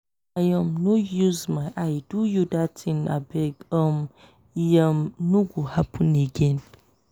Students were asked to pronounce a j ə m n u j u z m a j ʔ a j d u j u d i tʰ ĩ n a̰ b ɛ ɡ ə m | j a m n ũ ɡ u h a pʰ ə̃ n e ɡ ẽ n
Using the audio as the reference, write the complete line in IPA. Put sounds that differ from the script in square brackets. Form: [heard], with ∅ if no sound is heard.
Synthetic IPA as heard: a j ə m n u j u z m a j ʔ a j d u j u d [a] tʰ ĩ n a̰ b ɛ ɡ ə m | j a m n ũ ɡ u h a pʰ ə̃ n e ɡ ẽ n